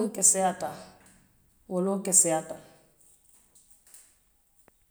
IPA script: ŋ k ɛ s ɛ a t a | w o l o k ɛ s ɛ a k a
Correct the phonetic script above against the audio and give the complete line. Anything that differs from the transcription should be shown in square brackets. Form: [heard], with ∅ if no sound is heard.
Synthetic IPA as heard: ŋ k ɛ s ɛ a t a | w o l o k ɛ s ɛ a [t] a